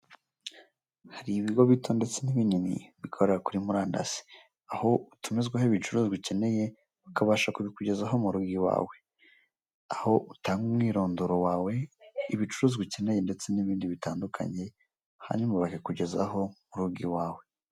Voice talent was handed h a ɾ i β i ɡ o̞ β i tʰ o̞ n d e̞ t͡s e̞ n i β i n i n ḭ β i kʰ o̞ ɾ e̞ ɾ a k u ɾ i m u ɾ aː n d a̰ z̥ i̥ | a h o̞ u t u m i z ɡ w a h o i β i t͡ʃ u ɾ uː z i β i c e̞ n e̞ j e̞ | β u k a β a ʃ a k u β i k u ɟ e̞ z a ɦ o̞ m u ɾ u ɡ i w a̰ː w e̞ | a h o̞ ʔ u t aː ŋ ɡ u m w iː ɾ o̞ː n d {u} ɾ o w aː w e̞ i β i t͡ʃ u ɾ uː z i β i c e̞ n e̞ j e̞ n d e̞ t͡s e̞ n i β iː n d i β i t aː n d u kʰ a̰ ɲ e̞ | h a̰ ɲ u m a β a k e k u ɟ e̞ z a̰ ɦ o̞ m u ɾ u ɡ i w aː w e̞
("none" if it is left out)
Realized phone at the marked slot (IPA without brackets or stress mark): o